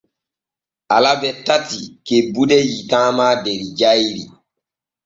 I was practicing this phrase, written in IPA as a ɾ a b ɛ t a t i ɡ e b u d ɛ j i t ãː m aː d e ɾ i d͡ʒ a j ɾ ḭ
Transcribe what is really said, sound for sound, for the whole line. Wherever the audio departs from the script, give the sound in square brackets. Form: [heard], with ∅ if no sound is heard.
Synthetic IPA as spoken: a [l] a b ɛ t a t i [k] e b u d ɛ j i t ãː m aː d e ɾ i d͡ʒ a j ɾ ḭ